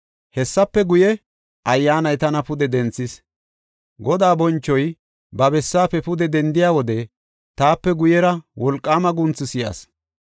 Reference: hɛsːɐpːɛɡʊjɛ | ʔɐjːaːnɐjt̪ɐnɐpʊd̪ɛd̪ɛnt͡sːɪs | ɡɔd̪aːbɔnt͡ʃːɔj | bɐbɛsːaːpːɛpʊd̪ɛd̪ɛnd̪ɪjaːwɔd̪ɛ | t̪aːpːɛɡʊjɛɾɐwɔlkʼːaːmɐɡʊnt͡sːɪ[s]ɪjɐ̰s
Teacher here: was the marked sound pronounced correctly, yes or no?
yes